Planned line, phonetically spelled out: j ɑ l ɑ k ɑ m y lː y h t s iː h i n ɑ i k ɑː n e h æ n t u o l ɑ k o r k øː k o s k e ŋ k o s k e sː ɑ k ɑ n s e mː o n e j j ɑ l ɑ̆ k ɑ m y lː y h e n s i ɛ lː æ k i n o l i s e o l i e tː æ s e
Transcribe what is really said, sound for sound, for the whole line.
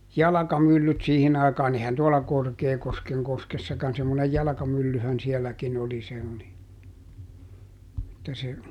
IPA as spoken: j ɑ l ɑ k ɑ m y lː y t s iː h i n ɑ i k ɑː n e h æ n t u o l ɑ k o r k eː k o s k e ŋ k o s k e sː ɑ k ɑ n s e mː o n e j j ɑ l ɑ̆ k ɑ m y lː y h æ n s i ɛ lː æ k i n o l i s e o l i e tː æ s e